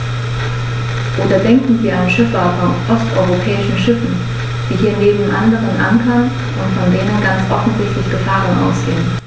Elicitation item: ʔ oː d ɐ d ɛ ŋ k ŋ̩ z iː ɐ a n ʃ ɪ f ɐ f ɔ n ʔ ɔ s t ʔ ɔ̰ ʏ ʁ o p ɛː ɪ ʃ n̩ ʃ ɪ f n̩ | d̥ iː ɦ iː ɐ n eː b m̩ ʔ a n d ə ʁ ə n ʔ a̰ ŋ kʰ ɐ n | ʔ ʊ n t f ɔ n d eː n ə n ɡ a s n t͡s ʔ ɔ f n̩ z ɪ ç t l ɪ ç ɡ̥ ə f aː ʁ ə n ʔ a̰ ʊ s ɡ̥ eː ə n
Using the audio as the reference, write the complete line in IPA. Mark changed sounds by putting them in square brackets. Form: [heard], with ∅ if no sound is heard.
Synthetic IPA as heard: ʔ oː d ɐ d ɛ ŋ k ŋ̩ [v] iː ɐ a n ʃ ɪ f ɐ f ɔ n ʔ ɔ s t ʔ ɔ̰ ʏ ʁ o [pʰ] ɛː ɪ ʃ n̩ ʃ ɪ f n̩ | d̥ iː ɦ iː ɐ n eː b m̩ ʔ a n d ə ʁ ə n ʔ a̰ ŋ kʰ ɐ n | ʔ ʊ n t f ɔ n d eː n ə n ɡ a [∅] n t͡s ʔ ɔ f n̩ z ɪ ç t l ɪ ç ɡ̥ ə f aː ʁ ə n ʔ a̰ ʊ s ɡ̥ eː ə n

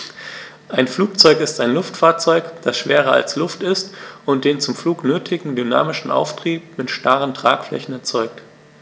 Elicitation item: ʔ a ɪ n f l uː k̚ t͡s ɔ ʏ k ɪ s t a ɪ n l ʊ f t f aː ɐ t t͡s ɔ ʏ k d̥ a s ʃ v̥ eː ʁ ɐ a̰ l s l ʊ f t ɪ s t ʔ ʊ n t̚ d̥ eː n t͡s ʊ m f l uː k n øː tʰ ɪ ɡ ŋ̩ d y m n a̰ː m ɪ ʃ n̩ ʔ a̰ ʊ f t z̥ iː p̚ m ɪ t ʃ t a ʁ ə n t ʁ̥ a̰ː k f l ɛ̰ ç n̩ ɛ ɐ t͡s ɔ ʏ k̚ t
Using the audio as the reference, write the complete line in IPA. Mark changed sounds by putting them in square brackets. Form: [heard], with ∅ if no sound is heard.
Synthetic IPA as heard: ʔ a ɪ n f l uː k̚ t͡s ɔ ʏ k ɪ s t a ɪ n l ʊ f t f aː ɐ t t͡s ɔ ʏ k d̥ a s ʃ v̥ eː ʁ ɐ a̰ l s l ʊ f t ɪ s t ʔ ʊ n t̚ d̥ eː n t͡s ʊ m f l uː k n øː tʰ ɪ ɡ ŋ̩ d y [∅] n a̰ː m ɪ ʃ n̩ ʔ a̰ ʊ f t [ʁ̥] iː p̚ m ɪ t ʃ t a ʁ ə n t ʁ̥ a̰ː k f l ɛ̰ ç n̩ ɛ ɐ t͡s ɔ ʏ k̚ t

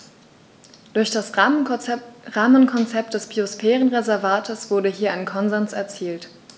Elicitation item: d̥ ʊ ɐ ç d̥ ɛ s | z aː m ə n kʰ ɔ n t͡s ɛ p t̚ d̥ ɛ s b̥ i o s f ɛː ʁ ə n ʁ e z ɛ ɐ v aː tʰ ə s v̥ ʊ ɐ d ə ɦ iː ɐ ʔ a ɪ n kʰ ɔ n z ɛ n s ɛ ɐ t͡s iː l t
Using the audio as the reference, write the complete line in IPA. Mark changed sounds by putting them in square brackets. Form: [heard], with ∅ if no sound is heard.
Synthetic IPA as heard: d̥ ʊ ɐ ç d̥ [a] s | [ʁ] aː m ə n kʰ ɔ n t͡s ɛ p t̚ d̥ ɛ s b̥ i o s f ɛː ʁ ə n ʁ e z ɛ ɐ v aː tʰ ə s v̥ ʊ ɐ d ə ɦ iː ɐ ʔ a ɪ n kʰ ɔ n z ɛ n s ɛ ɐ t͡s iː l t

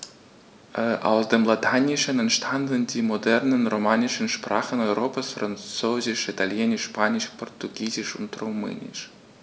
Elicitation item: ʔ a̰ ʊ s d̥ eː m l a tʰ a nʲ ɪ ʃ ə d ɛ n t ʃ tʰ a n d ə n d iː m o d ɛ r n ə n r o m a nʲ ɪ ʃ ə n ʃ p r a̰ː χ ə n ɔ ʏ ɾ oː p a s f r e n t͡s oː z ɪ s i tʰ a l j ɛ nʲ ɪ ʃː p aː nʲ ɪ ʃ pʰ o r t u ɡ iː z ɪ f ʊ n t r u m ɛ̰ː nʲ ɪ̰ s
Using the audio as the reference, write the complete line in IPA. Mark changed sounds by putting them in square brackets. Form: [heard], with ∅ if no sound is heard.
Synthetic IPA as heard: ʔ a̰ ʊ s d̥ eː m l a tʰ a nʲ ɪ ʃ ə [n] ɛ n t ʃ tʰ a n d ə n d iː m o d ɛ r n ə n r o m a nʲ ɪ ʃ ə n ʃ p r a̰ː χ ə n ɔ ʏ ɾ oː p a s f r [a] n t͡s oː z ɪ [ʃ] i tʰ a l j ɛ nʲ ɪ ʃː p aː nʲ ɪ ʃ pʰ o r t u ɡ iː z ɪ [ʃ] ʊ n t r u m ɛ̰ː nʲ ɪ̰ [ʃ]

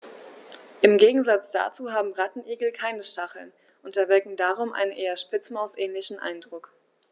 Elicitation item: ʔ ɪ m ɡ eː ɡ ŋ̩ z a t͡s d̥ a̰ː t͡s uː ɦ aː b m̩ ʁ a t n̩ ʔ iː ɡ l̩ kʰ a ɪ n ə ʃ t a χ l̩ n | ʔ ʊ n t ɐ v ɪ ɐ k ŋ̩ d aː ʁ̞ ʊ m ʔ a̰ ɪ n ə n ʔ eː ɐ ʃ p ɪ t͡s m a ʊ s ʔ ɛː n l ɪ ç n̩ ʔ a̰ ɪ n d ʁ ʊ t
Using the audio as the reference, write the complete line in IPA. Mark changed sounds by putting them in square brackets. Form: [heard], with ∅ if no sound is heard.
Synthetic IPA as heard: ʔ ɪ m ɡ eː ɡ ŋ̩ z a t͡s d̥ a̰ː t͡s uː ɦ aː b m̩ ʁ a t n̩ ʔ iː ɡ l̩ kʰ a ɪ n ə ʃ t a χ l̩ n | ʔ ʊ n t ɐ v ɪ ɐ k ŋ̩ d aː ʁ̞ ʊ m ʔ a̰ ɪ n ə n ʔ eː ɐ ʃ p ɪ t͡s m a ʊ s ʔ ɛː n l ɪ ç n̩ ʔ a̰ ɪ n d ʁ ʊ [k]

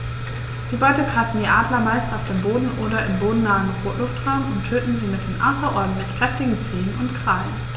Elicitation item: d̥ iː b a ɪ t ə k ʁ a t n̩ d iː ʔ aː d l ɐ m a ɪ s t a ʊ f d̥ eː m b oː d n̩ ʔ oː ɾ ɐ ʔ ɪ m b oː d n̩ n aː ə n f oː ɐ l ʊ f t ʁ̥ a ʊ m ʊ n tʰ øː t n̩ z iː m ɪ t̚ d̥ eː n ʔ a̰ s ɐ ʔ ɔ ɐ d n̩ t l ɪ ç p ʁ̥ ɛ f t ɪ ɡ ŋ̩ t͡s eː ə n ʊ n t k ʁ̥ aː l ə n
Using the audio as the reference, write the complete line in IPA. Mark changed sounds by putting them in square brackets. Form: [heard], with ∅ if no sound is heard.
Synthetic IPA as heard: d̥ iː b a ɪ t ə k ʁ a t n̩ d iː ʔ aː d l ɐ m a ɪ s t a ʊ f d̥ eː m b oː d n̩ ʔ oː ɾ ɐ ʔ ɪ m b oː d n̩ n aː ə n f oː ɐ l ʊ f t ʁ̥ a ʊ m ʊ n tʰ øː t n̩ z iː m ɪ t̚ d̥ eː n ʔ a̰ s ɐ ʔ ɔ ɐ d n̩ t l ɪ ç p ʁ̥ ɛ f t ɪ ɡ ŋ̩ t͡s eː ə n ʊ n t k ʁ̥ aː l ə n

